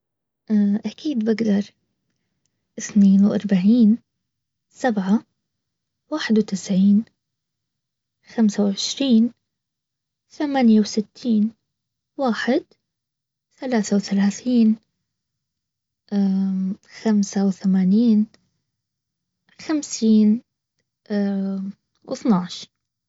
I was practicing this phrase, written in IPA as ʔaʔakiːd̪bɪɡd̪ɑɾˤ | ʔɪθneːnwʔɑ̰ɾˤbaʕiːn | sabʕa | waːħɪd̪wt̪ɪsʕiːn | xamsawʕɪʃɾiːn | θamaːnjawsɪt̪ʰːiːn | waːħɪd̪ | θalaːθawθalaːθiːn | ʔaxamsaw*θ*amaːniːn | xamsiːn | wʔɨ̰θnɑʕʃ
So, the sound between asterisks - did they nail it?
yes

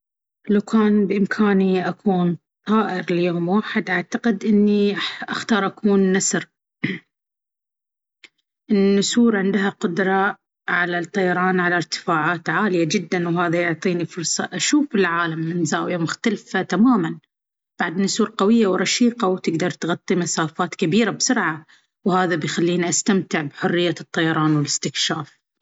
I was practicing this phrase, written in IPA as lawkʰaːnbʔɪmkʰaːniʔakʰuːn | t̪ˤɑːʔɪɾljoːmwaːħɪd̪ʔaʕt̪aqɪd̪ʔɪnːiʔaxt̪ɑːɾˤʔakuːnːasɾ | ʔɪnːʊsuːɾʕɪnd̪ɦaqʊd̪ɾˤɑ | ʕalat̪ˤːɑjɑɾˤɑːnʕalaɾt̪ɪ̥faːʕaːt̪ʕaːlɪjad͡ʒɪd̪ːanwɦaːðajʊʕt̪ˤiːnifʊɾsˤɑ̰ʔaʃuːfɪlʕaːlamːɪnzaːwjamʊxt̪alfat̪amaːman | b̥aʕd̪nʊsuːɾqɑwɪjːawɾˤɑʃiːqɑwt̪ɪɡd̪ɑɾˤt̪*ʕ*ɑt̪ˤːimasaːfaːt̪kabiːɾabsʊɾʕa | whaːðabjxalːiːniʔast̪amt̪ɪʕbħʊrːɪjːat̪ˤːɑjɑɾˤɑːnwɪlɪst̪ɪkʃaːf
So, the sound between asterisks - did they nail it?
no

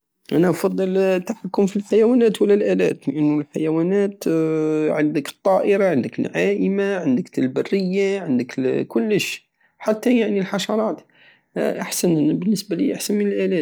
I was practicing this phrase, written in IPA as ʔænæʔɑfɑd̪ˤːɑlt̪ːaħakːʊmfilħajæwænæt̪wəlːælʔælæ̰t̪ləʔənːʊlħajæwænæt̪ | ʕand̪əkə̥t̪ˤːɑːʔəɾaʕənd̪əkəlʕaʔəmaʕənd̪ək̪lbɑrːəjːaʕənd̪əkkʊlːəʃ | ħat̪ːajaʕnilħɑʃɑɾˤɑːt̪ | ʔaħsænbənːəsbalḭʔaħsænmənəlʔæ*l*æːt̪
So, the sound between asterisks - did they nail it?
yes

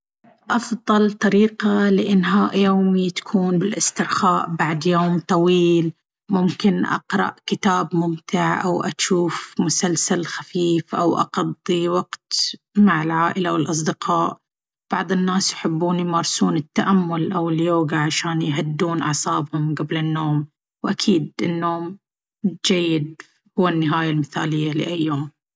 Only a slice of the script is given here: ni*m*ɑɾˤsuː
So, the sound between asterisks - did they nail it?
yes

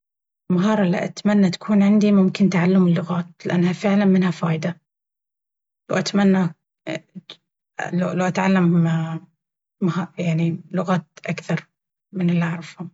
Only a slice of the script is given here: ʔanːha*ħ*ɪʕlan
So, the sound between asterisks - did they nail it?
no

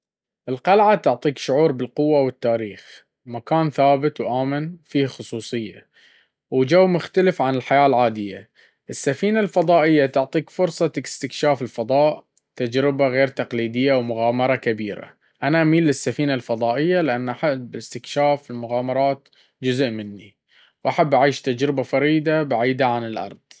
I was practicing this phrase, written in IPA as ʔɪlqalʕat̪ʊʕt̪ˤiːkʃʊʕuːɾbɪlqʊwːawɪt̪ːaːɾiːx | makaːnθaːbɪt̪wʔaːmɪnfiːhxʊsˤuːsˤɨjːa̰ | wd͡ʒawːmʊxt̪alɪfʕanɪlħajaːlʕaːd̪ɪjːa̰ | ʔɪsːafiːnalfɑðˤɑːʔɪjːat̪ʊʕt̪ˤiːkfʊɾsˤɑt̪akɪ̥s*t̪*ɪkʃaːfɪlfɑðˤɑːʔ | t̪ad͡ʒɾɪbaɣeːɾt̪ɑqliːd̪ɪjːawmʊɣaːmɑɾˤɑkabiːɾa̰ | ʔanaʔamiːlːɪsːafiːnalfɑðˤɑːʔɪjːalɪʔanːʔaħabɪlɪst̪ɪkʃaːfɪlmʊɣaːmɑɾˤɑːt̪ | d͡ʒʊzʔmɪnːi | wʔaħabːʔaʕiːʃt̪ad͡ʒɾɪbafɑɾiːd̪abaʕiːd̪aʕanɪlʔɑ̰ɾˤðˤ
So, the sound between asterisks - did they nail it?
yes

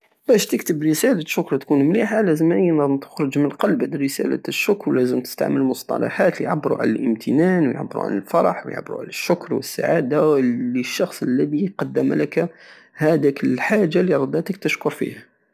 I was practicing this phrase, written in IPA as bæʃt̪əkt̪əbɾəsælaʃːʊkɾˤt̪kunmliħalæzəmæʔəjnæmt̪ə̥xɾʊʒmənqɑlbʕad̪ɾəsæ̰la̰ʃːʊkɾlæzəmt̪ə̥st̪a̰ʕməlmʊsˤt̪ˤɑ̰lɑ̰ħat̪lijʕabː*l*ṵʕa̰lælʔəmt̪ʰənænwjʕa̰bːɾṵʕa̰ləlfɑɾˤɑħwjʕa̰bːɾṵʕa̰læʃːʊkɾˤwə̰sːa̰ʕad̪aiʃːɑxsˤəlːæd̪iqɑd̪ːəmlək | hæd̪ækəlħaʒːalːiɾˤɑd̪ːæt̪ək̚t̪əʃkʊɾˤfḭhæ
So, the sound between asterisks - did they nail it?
no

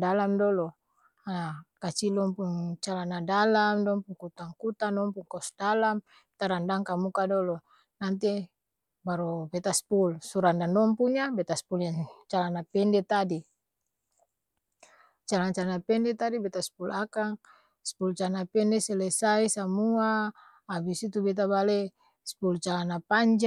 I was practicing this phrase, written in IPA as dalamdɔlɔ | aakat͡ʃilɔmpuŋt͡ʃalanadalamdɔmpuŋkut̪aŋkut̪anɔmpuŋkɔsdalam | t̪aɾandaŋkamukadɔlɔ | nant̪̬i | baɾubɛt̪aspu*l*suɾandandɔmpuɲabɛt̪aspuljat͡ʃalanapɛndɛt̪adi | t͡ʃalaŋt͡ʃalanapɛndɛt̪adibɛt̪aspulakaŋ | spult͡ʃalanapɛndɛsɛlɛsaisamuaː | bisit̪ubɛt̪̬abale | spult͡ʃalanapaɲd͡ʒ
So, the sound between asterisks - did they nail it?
yes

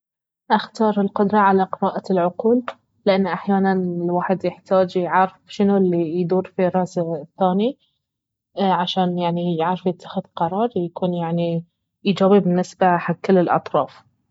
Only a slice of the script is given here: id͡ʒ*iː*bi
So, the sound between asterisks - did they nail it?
no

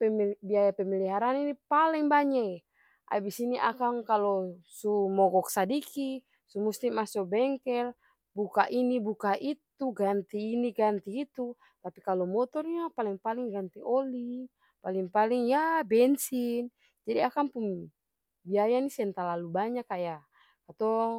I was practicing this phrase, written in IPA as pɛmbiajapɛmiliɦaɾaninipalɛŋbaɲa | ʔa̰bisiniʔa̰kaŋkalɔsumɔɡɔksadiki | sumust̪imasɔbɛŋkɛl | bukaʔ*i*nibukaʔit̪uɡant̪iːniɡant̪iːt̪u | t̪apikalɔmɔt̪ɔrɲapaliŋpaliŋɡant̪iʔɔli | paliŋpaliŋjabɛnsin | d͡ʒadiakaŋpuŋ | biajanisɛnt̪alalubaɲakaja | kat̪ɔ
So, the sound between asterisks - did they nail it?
yes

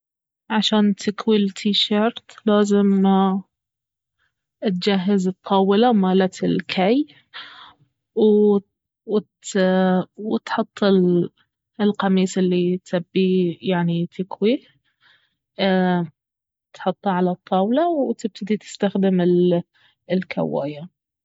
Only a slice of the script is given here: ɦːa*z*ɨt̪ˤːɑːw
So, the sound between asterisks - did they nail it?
yes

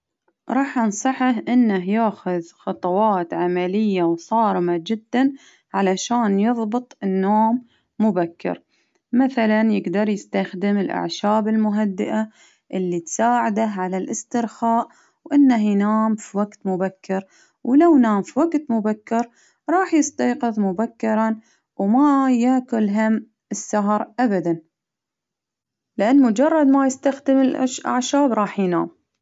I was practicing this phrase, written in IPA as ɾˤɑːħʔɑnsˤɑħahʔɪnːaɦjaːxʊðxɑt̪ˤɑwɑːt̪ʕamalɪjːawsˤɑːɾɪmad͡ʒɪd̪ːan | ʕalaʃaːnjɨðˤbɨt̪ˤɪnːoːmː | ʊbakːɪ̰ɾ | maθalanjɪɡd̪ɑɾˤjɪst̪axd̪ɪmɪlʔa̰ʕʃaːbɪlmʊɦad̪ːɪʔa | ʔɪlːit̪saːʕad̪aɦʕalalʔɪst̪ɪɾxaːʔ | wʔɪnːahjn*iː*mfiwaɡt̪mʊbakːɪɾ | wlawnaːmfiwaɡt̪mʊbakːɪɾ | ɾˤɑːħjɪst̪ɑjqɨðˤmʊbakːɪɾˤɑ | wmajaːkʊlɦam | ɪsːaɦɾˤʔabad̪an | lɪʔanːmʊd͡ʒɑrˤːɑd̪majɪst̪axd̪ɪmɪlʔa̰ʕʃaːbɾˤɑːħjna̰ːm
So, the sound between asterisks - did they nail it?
no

